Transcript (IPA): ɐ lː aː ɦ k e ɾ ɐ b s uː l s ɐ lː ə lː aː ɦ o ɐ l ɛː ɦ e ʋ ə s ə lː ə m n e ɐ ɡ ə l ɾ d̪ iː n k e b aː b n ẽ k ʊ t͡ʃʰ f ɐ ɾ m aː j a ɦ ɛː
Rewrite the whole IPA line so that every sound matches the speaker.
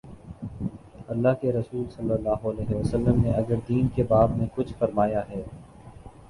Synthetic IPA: ɐ lː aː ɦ k e ɾ ɐ s uː l s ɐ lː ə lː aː ɦ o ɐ l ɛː ɦ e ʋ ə s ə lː ə m n e ɐ ɡ ə ɾ d̪ iː n k e b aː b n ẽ k ʊ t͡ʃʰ f ɐ ɾ m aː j a ɦ ɛː